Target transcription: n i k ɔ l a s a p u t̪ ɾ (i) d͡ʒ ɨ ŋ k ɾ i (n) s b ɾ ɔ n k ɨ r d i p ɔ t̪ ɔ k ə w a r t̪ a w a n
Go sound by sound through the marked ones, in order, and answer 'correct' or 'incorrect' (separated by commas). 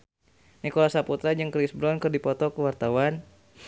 incorrect, incorrect